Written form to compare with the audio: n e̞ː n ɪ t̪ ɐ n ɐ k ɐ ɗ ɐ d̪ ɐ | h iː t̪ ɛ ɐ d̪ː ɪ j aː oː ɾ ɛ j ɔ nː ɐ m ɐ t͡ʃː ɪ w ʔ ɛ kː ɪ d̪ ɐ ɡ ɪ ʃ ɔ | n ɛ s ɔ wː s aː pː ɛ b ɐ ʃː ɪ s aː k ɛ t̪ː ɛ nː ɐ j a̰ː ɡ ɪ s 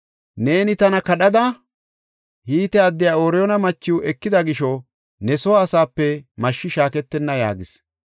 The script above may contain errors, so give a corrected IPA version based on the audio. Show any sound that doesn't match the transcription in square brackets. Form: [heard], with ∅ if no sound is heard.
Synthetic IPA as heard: n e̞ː n ɪ t̪ ɐ n ɐ k ɐ ɗ ɐ d̪ ɐ | h iː t̪ ɛ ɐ d̪ː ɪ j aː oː ɾ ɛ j ɔ [n] ɐ m ɐ t͡ʃː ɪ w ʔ ɛ kː ɪ d̪ ɐ ɡ ɪ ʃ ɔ | n ɛ s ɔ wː s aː pː ɛ [m] ɐ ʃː ɪ [ʃ] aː k ɛ t̪ː ɛ nː ɐ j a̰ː ɡ ɪ s